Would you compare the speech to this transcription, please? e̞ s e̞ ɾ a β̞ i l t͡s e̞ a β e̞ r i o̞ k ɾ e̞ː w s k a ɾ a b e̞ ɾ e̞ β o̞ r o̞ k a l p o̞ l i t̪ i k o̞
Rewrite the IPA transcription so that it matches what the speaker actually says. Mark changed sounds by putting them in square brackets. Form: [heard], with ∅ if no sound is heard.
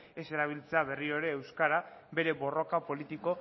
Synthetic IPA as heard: e̞ s e̞ ɾ a β̞ i l t͡s e̞ a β e̞ r i o̞ [∅] ɾ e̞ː w s k a ɾ a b e̞ ɾ e̞ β o̞ r o̞ k a [∅] p o̞ l i t̪ i k o̞